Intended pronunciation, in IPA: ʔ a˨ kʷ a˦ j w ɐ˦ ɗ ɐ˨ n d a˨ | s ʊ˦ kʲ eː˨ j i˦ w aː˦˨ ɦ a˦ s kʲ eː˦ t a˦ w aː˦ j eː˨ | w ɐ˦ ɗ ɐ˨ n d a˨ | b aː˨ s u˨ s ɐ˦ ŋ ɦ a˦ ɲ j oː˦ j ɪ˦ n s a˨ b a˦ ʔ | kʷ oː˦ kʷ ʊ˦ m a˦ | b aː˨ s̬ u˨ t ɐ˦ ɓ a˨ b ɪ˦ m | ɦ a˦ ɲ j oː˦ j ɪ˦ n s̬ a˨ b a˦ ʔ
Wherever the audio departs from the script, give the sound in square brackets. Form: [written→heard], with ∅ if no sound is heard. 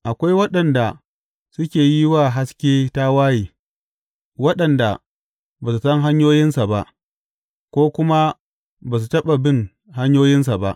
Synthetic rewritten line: ʔ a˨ kʷ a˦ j w ɐ˦ ɗ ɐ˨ n d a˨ | s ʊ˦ kʲ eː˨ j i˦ w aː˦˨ ɦ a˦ s kʲ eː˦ t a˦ w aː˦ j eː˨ | w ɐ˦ ɗ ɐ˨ n d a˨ | b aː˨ s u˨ s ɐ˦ ŋ ɦ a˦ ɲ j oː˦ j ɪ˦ n s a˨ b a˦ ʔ | kʷ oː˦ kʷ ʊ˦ m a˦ | b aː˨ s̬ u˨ t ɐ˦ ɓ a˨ b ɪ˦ [m→ŋ] | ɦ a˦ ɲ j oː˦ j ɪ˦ n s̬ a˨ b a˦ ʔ